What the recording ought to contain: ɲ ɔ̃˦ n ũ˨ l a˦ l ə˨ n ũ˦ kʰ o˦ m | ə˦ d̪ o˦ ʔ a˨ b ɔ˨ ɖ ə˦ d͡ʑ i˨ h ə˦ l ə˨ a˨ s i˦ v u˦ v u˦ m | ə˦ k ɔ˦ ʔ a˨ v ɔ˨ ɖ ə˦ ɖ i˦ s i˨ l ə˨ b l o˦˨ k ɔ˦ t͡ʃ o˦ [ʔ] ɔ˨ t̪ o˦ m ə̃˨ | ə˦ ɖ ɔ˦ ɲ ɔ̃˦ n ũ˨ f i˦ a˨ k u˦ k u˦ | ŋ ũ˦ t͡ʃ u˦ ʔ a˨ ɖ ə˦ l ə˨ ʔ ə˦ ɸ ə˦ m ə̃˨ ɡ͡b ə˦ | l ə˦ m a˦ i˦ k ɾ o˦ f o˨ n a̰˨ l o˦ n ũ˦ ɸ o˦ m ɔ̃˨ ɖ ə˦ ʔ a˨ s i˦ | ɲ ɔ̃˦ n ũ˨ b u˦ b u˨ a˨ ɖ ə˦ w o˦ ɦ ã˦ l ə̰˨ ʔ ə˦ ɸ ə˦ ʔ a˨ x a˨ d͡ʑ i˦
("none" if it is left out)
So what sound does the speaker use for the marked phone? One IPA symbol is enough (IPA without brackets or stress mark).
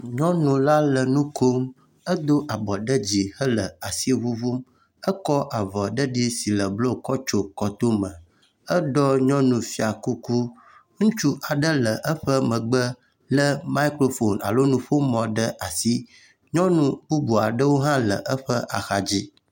k